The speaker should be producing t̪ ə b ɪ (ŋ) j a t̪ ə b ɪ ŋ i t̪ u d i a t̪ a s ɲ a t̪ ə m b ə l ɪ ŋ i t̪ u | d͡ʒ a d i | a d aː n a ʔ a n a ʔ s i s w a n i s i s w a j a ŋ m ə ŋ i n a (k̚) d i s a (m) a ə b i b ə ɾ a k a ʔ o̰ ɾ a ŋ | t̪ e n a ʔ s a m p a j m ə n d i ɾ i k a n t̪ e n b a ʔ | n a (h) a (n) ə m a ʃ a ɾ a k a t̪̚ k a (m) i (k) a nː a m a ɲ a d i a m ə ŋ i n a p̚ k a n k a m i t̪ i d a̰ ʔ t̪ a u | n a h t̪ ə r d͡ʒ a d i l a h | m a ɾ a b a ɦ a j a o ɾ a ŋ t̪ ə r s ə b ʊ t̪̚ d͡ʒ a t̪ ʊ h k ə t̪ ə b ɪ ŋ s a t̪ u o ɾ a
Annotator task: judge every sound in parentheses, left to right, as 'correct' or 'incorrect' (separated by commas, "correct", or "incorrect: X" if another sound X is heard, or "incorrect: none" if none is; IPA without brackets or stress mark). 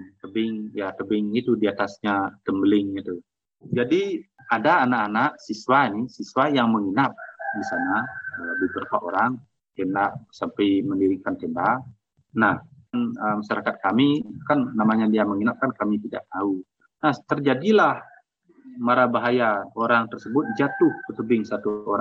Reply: correct, incorrect: p̚, incorrect: n, correct, correct, correct, correct